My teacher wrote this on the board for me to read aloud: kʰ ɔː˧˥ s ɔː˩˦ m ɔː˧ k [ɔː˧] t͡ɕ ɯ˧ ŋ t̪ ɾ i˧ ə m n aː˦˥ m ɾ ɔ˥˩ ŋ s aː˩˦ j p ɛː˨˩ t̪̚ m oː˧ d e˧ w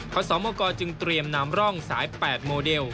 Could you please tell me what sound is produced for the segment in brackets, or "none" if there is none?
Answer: ɔː˧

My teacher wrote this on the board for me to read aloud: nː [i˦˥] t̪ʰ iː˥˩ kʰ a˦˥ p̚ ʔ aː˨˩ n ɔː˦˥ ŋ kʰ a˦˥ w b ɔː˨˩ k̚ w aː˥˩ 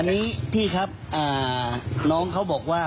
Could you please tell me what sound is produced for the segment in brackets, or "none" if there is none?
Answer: iː˦˥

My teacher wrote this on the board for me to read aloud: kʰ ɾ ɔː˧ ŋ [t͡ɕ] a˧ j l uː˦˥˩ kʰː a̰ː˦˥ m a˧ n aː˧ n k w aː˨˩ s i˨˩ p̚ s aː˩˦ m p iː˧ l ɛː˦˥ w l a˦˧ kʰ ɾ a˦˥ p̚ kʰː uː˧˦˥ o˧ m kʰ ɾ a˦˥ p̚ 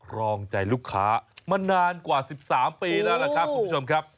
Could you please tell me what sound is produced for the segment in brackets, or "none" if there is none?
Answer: t͡ɕ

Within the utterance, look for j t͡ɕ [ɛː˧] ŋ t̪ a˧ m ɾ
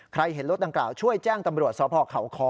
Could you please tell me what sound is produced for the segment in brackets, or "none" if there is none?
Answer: ɛː˥˩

